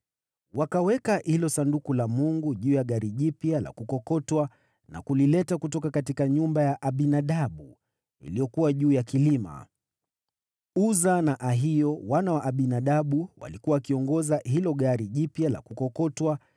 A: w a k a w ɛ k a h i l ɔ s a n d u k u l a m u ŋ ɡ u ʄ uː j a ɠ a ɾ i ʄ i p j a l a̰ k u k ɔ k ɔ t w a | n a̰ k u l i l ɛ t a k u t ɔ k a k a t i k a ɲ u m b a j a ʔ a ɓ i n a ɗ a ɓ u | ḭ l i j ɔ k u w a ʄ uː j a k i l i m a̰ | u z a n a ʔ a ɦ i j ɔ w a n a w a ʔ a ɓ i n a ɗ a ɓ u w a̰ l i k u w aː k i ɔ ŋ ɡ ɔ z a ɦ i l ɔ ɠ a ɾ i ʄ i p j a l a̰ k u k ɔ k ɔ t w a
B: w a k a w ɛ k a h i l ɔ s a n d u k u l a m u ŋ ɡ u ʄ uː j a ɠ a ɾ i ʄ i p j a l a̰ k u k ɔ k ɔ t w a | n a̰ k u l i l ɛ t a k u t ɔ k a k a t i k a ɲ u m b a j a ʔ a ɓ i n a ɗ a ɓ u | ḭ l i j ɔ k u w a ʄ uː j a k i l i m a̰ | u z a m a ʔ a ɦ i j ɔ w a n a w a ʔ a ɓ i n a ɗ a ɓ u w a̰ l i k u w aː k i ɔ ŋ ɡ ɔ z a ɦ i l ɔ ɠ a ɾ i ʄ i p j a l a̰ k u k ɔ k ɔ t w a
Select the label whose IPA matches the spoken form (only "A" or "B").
A